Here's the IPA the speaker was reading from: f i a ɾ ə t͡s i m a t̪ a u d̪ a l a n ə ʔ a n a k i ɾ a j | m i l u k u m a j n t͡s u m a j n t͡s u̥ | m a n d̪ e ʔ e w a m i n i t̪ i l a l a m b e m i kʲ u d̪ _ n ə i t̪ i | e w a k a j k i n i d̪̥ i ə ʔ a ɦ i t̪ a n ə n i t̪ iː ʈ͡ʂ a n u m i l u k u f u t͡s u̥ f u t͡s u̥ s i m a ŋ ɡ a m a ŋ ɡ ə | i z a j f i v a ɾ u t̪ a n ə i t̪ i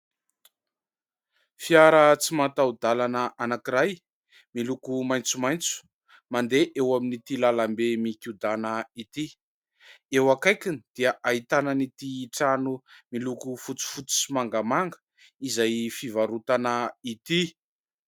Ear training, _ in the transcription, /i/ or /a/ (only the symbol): a